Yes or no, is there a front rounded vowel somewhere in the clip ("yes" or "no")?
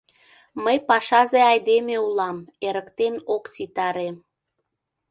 no